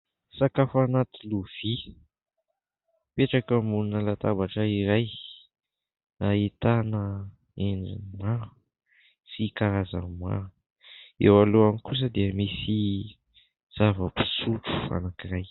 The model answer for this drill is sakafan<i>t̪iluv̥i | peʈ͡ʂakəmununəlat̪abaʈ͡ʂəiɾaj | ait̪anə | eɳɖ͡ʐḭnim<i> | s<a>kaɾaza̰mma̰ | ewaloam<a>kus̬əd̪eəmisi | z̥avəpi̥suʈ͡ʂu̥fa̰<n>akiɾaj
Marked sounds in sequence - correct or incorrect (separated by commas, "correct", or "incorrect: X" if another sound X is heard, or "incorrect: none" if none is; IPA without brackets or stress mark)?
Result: incorrect: a, incorrect: a, incorrect: i, incorrect: i, correct